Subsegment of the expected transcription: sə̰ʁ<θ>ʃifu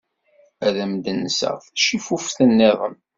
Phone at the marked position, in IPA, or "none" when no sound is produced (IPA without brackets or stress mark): θ